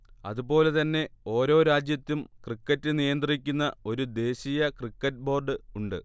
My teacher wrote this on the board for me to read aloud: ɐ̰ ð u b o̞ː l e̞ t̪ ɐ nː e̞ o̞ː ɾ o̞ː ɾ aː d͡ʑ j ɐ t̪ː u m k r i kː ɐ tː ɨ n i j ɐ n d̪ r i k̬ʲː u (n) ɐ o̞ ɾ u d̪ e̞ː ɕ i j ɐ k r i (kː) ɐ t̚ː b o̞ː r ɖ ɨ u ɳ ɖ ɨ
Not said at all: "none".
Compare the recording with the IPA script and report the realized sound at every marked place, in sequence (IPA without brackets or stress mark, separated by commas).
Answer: nː, kː